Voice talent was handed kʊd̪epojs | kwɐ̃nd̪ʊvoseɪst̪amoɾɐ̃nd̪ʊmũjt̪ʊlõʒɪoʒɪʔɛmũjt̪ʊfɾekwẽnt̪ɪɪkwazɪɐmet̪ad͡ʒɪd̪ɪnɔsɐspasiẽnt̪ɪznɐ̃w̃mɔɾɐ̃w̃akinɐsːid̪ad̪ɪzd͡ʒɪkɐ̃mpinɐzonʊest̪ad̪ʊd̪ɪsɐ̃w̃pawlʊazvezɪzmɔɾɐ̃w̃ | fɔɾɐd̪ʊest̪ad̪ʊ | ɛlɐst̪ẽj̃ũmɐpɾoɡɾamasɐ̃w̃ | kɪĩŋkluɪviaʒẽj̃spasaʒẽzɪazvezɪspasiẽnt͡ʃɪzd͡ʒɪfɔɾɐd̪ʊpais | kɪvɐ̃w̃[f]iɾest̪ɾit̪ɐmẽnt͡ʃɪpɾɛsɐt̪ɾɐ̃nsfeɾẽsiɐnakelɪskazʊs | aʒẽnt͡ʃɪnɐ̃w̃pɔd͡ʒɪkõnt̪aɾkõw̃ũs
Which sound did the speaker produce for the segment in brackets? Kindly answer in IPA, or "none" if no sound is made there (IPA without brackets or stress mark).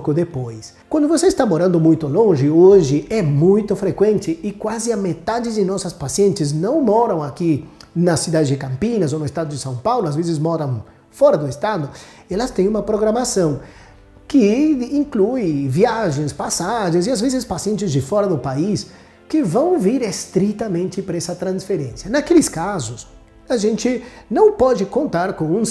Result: v